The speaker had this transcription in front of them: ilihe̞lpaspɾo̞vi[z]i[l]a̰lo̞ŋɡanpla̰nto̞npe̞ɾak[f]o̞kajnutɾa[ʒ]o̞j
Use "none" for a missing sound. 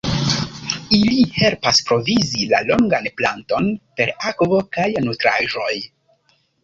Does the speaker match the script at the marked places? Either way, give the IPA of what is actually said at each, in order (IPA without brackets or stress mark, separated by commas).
z, l, v, ʒ